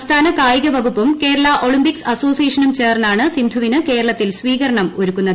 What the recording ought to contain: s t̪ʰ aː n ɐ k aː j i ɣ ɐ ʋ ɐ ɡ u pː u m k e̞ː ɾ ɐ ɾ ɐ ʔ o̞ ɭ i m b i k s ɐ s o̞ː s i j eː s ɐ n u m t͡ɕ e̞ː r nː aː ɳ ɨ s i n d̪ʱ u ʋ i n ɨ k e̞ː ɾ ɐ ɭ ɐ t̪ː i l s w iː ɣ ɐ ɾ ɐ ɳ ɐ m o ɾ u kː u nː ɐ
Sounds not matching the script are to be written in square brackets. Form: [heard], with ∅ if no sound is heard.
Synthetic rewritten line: s t̪ʰ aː n ɐ k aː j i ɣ ɐ ʋ ɐ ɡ u pː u m k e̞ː ɾ ɐ [ɭ] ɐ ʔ o̞ ɭ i m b i k s ɐ s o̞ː s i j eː [ʂ] ɐ n u m t͡ɕ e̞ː r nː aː ɳ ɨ s i n d̪ʱ u ʋ i n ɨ k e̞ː ɾ ɐ ɭ ɐ t̪ː i l s [ʋ] iː ɣ ɐ ɾ ɐ ɳ ɐ m o ɾ u kː u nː ɐ